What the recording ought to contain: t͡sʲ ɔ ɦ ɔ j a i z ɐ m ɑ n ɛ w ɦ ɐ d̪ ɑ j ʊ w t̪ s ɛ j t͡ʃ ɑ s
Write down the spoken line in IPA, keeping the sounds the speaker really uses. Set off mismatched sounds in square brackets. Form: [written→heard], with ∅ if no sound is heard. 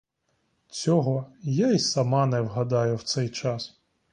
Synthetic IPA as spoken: t͡sʲ ɔ ɦ ɔ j a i [z→s] ɐ m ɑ n ɛ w ɦ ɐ d̪ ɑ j ʊ w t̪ s ɛ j t͡ʃ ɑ s